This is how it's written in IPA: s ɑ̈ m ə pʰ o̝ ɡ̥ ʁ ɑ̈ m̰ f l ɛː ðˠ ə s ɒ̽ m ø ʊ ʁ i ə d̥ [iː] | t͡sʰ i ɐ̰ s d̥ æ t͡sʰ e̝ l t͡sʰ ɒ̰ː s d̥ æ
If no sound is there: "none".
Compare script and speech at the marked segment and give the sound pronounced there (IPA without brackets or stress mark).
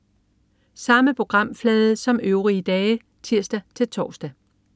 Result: ɛː